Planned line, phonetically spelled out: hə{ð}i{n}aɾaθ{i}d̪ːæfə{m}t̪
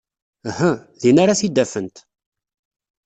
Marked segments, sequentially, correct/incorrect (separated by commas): correct, correct, correct, incorrect